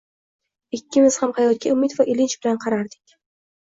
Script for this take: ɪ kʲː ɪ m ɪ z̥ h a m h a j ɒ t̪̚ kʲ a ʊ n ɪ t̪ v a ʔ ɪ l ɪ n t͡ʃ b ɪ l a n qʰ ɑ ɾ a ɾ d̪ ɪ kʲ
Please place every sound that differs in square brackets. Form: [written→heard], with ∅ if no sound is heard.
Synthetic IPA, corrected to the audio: ɪ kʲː ɪ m ɪ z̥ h a m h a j ɒ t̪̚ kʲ a ʊ [n→m] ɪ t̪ v a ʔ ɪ l ɪ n t͡ʃ b ɪ l a n qʰ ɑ ɾ a ɾ d̪ ɪ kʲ